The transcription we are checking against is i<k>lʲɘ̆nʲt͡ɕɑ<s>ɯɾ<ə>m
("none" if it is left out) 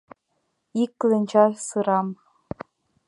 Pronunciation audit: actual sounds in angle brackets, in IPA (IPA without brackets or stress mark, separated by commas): k, s, ɑ